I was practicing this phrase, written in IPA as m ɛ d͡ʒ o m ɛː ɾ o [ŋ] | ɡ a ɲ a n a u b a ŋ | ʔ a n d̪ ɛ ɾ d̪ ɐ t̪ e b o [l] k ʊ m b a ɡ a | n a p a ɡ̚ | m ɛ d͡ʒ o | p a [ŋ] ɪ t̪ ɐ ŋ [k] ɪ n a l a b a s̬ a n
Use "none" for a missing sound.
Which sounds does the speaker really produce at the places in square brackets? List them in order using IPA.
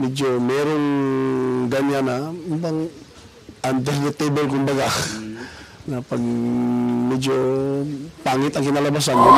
ŋ, l, ŋ, k

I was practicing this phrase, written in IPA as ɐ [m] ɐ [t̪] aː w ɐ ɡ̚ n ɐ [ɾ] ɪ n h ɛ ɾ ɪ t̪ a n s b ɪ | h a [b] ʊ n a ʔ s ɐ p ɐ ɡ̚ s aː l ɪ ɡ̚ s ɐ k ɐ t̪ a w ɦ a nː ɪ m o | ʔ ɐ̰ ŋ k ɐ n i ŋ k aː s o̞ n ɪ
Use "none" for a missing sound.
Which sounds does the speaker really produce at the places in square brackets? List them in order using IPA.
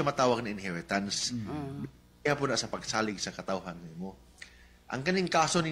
m, t̪, none, p

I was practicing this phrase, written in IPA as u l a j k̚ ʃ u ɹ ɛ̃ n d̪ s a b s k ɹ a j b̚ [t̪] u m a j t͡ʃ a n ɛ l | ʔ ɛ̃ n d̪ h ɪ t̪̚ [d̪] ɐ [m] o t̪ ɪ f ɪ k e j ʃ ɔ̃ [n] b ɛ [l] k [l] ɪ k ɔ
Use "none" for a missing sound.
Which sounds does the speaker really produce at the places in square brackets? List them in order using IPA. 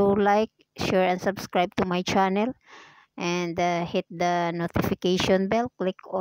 t̪, d̪, n, n, l, l

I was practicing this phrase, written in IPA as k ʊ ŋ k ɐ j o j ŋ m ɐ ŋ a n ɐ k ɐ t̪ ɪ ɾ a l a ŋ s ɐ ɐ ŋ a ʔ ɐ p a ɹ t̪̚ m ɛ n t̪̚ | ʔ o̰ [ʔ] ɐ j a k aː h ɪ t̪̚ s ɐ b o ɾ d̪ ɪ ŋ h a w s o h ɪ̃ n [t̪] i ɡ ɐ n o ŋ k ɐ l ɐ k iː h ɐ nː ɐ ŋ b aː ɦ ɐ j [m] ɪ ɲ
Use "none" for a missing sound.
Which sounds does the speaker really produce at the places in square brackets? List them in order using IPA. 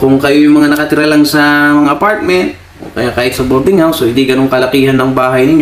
k, d̪, n

